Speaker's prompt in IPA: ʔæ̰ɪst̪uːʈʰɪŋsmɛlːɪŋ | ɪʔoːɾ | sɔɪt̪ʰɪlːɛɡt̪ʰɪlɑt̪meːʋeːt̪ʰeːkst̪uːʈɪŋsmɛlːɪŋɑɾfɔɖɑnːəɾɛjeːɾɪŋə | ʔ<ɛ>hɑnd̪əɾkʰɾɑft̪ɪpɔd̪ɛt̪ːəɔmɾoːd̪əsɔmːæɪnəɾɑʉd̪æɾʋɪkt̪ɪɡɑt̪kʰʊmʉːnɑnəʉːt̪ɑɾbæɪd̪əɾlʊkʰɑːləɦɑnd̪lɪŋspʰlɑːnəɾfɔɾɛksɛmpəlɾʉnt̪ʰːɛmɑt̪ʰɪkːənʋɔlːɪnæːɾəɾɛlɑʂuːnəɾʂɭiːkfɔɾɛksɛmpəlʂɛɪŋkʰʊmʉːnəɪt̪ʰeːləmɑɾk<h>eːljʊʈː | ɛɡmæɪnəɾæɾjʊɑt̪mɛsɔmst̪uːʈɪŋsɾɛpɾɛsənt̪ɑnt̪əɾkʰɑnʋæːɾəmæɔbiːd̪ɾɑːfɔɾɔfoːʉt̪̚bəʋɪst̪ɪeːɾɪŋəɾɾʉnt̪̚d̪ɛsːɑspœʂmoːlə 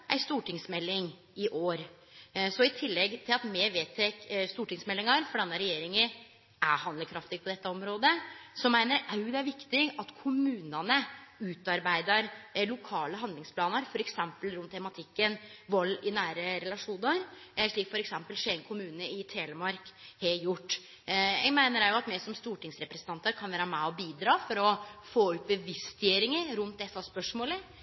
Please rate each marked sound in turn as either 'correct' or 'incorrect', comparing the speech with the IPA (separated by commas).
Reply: incorrect, correct